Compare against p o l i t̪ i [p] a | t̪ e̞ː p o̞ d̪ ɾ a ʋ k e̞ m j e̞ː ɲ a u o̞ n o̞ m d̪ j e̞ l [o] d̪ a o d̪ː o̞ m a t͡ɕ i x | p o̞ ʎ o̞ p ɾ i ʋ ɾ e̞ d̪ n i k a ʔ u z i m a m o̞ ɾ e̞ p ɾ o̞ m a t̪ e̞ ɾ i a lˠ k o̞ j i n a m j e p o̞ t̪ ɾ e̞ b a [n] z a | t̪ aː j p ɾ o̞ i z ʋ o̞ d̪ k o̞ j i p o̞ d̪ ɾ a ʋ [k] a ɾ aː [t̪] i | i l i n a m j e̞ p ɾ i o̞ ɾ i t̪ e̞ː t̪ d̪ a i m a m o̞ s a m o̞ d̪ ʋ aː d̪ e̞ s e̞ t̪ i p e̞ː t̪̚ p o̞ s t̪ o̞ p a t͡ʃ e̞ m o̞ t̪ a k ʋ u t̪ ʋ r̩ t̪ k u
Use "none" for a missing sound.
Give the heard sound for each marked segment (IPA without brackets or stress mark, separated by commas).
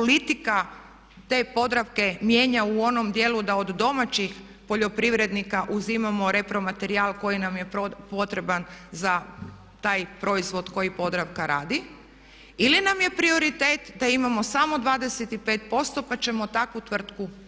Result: k, u, n, k, d̪